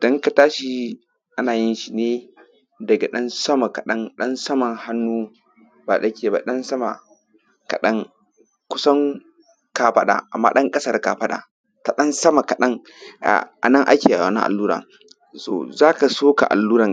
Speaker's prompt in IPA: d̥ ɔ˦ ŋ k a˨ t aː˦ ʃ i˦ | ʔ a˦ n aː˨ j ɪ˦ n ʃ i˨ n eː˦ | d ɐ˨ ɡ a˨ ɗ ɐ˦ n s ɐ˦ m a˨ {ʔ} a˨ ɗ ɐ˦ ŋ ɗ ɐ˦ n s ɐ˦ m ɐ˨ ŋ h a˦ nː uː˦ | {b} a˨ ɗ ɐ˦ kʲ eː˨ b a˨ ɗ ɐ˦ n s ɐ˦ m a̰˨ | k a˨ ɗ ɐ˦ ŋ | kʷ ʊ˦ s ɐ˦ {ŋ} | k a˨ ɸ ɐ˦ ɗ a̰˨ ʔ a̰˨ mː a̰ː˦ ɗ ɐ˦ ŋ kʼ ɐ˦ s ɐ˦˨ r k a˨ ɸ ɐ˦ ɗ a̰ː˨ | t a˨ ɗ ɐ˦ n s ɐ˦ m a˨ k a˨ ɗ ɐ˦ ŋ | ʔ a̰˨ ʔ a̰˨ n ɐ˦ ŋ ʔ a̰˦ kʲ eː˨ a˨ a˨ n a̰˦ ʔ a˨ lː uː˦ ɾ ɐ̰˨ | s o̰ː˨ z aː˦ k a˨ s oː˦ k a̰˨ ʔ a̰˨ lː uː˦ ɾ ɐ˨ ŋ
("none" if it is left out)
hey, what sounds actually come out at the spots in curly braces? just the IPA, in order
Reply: k, b, ŋ

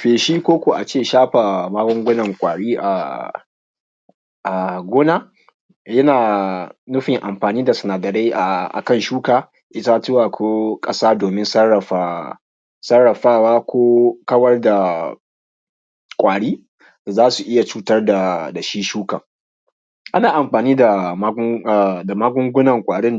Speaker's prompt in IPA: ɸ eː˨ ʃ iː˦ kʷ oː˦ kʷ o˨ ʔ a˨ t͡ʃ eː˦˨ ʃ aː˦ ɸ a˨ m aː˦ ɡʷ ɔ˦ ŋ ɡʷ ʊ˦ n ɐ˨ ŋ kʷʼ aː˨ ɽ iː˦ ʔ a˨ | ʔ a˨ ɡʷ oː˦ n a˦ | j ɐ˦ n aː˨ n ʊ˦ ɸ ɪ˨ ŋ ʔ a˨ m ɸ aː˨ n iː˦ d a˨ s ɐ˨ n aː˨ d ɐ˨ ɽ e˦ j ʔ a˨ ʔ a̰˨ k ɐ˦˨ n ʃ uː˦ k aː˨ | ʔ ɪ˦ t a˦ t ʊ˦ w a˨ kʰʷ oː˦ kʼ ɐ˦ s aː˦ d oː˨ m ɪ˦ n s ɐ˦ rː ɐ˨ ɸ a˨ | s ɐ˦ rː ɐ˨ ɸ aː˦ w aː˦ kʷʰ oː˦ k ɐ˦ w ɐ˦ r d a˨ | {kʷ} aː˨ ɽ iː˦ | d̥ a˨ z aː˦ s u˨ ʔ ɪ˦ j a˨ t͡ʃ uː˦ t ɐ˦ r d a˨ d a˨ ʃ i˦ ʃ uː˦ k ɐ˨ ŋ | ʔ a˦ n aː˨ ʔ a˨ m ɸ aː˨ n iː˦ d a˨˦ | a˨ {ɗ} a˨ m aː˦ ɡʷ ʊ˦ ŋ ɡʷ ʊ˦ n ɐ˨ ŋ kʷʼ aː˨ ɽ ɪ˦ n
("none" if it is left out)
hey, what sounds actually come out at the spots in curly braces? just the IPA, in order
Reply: kʷʼ, d

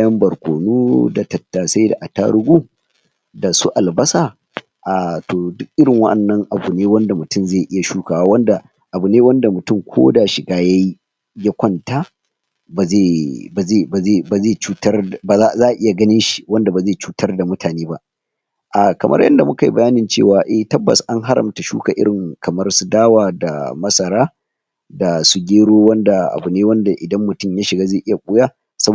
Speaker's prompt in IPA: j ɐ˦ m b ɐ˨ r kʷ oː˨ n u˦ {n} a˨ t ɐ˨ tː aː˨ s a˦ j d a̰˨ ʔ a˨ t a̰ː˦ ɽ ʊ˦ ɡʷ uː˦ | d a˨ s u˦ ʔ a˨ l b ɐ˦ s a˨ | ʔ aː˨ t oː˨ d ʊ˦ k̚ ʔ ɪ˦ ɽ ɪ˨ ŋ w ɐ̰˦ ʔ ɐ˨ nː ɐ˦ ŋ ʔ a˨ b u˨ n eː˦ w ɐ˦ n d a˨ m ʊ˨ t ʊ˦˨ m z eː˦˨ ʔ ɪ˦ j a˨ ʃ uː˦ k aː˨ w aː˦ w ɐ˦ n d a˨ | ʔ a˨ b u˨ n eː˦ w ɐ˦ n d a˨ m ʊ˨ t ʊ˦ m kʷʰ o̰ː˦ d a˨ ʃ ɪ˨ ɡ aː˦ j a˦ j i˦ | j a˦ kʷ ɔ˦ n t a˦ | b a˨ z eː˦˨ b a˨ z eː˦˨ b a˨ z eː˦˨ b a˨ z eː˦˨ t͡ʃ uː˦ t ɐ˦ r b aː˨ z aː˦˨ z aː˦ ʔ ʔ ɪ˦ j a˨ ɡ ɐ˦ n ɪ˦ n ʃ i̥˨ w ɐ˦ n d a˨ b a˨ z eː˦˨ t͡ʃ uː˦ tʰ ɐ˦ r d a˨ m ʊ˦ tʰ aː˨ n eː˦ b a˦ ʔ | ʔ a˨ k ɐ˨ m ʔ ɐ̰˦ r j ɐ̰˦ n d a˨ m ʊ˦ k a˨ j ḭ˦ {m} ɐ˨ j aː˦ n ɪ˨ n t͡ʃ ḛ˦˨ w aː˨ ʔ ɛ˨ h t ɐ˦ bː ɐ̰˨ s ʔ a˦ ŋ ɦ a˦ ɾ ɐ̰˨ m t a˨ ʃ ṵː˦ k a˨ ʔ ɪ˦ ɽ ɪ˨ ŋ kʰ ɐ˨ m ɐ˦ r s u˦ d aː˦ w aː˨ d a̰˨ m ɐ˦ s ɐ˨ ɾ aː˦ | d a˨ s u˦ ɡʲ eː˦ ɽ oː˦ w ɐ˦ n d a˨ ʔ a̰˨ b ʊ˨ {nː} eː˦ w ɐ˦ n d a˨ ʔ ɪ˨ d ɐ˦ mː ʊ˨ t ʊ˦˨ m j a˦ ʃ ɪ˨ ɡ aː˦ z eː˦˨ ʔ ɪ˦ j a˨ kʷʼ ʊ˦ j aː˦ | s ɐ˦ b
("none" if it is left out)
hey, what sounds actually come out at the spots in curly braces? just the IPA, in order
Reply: d, b, n

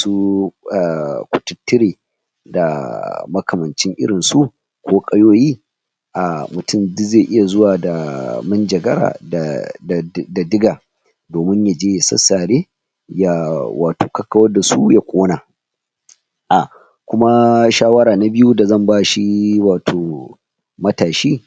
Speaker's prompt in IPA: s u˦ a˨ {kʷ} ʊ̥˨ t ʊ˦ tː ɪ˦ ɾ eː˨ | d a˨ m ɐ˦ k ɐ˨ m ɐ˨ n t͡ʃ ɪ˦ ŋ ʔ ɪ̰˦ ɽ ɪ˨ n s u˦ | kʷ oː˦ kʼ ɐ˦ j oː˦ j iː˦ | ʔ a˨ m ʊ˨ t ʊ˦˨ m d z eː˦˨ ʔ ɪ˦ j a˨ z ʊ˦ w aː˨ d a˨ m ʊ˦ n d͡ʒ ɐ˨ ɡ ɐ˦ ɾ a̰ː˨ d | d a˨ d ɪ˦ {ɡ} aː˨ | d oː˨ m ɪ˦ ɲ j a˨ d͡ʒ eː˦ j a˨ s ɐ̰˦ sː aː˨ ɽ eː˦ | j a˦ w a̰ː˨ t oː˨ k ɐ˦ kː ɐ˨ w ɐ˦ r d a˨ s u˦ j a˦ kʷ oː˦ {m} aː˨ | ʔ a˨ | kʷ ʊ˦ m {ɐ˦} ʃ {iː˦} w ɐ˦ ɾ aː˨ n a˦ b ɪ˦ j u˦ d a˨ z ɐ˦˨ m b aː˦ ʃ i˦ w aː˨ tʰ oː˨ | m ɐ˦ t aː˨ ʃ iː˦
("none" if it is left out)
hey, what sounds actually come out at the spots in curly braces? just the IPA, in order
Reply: kʷ, ɡ, n, a˦, aː˦

